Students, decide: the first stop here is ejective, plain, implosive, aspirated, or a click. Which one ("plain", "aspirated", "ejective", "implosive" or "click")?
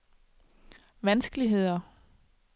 plain